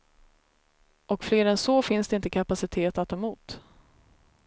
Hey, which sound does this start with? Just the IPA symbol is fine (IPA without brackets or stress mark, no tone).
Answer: ɔ